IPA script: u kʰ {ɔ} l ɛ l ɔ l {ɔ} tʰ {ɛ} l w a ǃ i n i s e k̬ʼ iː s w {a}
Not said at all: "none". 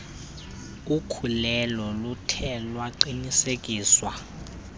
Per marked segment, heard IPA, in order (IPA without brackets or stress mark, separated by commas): u, u, ɛ, a